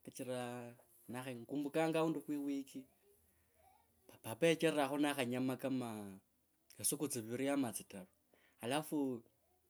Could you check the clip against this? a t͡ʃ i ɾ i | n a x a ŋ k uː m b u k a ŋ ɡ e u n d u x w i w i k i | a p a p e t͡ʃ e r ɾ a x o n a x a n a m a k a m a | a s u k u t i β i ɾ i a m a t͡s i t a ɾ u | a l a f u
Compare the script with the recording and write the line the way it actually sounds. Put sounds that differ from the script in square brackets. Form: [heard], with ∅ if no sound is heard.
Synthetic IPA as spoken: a t͡ʃ i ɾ [a] | n a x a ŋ k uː m b u k a ŋ ɡ [a] u n d u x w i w i k i | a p a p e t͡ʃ e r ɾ a x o n a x a [ɲ] a m a k a m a | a s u k u [t͡s] i β i ɾ i a m a t͡s i t a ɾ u | a l a f u